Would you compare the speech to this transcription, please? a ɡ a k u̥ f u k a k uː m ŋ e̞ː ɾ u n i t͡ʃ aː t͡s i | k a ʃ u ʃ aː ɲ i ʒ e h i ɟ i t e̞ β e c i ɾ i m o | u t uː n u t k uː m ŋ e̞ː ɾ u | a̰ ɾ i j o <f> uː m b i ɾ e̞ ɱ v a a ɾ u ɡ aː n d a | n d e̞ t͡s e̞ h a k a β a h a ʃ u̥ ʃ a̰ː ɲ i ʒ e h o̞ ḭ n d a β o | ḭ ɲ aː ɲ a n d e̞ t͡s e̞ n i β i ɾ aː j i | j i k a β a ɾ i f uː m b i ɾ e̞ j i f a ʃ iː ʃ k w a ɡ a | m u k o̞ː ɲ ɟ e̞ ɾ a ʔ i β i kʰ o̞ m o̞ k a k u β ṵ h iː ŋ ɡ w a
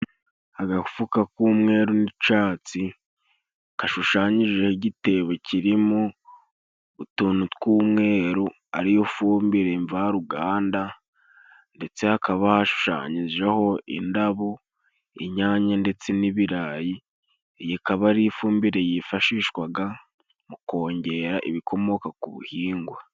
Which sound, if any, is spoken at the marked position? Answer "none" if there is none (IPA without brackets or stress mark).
f